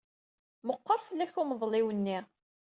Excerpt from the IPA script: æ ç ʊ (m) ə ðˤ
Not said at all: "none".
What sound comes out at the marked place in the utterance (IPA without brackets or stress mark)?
m